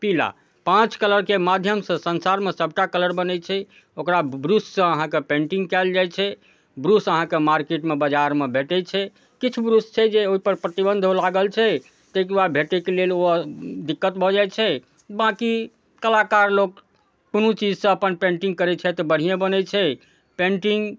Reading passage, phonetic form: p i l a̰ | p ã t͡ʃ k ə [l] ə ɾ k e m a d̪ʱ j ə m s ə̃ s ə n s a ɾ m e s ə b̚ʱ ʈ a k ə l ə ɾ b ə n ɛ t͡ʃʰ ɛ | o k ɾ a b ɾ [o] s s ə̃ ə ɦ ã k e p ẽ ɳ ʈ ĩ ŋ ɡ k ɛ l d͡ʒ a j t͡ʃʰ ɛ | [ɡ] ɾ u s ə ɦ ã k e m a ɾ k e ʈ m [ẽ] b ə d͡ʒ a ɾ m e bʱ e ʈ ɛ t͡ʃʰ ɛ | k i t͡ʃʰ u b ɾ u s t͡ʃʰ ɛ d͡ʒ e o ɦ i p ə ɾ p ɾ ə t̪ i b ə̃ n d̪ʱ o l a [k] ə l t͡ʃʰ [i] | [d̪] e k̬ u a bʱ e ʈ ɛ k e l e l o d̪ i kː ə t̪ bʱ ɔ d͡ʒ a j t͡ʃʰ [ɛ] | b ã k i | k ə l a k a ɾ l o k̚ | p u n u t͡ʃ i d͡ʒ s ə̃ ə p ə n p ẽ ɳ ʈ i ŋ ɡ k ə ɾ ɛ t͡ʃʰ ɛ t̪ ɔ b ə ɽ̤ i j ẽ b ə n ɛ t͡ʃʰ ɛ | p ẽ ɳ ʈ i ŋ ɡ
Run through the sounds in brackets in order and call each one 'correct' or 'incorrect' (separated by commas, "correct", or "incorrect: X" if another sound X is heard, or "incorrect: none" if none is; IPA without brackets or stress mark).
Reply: correct, incorrect: u, incorrect: b, incorrect: e, incorrect: ɡ, incorrect: ɛ, incorrect: t̪, correct